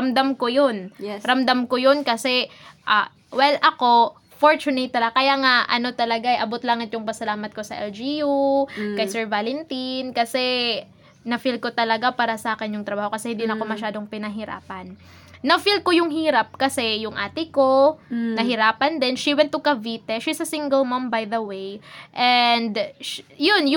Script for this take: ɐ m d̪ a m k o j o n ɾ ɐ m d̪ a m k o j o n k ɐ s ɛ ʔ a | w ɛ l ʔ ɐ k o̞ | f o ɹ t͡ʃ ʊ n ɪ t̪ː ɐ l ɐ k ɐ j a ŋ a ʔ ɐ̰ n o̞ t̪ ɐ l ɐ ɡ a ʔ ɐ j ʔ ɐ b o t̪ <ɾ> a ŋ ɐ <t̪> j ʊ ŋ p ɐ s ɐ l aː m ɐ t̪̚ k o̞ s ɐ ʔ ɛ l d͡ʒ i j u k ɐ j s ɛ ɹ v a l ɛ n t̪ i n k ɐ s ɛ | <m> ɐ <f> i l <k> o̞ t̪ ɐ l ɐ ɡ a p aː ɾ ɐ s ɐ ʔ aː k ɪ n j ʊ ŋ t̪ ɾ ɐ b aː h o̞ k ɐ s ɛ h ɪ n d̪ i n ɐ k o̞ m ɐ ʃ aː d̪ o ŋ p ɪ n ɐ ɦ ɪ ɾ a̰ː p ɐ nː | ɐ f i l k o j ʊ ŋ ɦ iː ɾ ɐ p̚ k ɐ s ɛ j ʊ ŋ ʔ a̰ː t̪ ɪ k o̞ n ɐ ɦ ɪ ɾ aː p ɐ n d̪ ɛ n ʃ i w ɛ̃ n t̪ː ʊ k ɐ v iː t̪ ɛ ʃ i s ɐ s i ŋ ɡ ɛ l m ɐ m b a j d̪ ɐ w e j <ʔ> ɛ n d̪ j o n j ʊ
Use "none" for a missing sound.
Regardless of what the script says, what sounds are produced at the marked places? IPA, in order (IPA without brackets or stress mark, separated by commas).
l, t̪, n, f, k, ʔ